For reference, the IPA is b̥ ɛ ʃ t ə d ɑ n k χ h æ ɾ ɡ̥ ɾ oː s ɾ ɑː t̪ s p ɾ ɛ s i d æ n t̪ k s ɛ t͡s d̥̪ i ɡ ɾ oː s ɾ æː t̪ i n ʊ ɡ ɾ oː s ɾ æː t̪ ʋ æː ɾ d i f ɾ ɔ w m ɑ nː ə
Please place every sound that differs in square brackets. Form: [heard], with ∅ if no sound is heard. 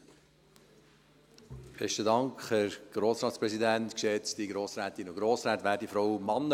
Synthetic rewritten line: b̥ ɛ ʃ t ə d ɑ [ŋ] k χ h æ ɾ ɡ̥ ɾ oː s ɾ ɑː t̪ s p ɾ ɛ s i d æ n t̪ k [ʃ] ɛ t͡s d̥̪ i ɡ ɾ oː s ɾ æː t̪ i n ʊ ɡ ɾ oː s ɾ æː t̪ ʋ æː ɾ d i f ɾ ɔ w m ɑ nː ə